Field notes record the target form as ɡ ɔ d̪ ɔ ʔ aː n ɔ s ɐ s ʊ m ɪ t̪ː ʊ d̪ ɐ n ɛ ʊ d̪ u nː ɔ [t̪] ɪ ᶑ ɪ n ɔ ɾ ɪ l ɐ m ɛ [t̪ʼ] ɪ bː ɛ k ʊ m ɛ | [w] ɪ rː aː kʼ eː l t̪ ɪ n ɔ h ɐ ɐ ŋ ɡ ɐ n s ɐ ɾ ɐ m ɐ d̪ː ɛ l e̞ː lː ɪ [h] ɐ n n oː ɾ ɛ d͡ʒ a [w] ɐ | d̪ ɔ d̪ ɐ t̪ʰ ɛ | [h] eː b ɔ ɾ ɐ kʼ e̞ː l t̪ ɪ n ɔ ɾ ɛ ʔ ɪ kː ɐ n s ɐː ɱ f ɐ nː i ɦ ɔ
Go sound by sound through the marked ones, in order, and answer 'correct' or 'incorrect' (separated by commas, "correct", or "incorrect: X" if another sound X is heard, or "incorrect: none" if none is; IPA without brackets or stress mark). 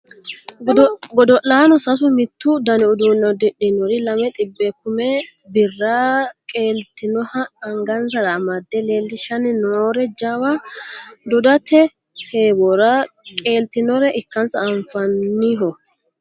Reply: incorrect: d̪, correct, incorrect: b, incorrect: ʃ, correct, correct